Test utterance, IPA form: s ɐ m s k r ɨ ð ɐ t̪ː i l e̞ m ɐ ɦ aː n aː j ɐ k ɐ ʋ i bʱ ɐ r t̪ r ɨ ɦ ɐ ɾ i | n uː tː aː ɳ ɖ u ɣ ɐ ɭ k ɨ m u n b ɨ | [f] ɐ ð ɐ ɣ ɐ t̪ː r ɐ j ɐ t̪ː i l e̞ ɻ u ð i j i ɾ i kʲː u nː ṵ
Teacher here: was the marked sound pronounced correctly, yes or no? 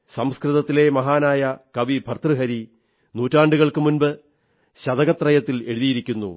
no